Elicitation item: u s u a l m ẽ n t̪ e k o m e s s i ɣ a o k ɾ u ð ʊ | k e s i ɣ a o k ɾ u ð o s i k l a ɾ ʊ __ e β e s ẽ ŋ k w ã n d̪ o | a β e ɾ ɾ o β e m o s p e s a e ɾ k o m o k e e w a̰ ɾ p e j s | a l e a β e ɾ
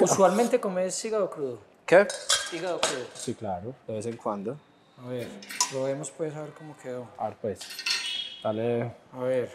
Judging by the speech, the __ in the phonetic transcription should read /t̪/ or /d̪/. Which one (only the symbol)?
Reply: d̪